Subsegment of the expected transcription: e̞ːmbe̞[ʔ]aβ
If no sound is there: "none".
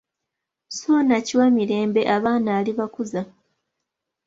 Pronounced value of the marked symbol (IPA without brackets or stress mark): ʔ